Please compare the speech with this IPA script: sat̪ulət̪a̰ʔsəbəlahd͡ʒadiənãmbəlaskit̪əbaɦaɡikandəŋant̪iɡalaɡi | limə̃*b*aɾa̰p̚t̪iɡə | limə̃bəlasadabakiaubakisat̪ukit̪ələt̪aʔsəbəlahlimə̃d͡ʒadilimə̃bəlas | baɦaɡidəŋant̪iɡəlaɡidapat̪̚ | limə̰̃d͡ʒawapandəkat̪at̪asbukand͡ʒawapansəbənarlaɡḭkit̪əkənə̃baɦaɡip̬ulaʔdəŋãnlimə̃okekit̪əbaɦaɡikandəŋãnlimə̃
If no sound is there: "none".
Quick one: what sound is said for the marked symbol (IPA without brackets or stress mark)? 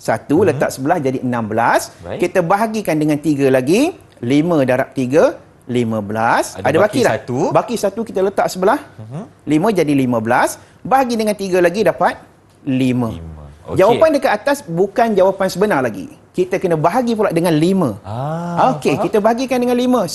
d